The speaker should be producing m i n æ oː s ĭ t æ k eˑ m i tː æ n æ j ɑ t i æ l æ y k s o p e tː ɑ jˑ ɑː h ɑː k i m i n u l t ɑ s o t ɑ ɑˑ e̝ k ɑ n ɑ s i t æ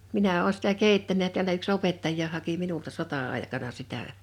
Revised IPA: m i n æ oː s ĭ t æ k eˑ i tː æ n æ j ɑ t i æ l æ y k s o p e tː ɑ jˑ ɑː h ɑ k i m i n u l t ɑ s o t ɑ ɑˑ e̝ k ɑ n ɑ s i t æ